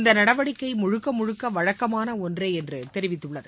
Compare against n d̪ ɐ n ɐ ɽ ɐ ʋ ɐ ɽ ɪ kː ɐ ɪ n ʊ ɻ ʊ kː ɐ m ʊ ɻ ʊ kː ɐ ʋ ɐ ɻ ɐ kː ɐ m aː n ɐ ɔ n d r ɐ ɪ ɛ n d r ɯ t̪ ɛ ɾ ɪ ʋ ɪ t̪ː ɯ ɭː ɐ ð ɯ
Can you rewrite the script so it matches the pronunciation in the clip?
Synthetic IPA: n d̪ ɐ n ɐ ɽ ɐ ʋ ɐ ɽ ɪ kː ɐ ɪ m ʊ ɻ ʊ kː ɐ m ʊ ɻ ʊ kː ɐ ʋ ɐ ɻ ɐ kː ɐ m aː n ɐ ɔ n d r ɐ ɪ ɛ n d r ɯ t̪ ɛ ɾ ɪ ʋ ɪ t̪ː ɯ ɭː ɐ ð ɯ